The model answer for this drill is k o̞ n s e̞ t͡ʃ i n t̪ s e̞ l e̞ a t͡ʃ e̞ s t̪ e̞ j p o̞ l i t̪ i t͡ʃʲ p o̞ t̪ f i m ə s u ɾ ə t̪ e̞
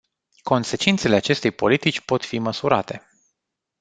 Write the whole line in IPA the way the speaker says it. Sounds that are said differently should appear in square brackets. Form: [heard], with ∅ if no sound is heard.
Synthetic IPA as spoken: k o̞ n s e̞ t͡ʃ i n t̪ s e̞ l e̞ a t͡ʃ e̞ s t̪ e̞ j p o̞ l i t̪ i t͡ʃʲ p o̞ t̪ f i m ə s u ɾ [a] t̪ e̞